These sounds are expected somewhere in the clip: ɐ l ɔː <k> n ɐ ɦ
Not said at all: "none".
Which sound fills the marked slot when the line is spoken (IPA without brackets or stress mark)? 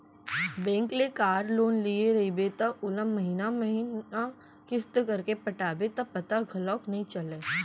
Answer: k